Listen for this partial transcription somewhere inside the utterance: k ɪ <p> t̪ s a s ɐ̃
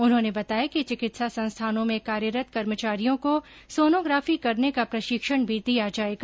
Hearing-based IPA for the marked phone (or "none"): none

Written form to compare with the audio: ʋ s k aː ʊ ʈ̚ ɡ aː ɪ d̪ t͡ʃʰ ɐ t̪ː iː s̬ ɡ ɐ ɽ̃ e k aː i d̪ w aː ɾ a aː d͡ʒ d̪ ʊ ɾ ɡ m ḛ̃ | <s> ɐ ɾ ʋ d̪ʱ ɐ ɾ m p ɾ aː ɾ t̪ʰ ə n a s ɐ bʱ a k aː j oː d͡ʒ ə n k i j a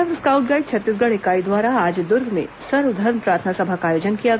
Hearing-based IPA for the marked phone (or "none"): s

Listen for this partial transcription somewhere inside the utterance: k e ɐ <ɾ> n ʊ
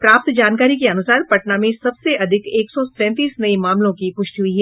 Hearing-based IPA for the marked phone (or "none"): none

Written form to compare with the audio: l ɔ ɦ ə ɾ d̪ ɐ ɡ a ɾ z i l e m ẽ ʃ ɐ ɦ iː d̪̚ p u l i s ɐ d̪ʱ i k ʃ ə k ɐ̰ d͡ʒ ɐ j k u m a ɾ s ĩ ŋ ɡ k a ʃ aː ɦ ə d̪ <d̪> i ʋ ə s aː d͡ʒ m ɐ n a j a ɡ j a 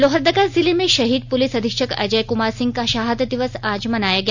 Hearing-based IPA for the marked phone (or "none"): d̪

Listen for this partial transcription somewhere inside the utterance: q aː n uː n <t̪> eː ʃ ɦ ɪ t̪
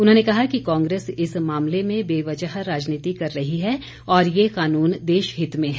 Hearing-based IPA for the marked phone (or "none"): d̪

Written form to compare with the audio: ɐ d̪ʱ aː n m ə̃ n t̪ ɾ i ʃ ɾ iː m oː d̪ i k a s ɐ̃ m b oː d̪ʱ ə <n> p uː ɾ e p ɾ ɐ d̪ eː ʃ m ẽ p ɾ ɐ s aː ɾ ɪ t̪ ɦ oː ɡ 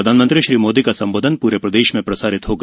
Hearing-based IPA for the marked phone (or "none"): n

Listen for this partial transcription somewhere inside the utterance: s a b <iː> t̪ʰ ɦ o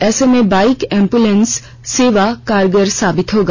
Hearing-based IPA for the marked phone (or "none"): i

